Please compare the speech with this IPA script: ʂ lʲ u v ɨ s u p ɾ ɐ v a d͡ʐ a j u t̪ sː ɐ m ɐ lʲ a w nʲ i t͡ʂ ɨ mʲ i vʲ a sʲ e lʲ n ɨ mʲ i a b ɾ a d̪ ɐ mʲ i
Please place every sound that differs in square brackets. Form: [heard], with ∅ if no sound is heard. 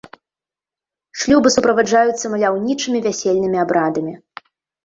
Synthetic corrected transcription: ʂ lʲ u [b] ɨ s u p ɾ ɐ v a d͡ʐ a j u t̪ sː ɐ m ɐ lʲ a w nʲ i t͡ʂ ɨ mʲ i vʲ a sʲ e lʲ n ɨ mʲ i a b ɾ a d̪ ɐ mʲ i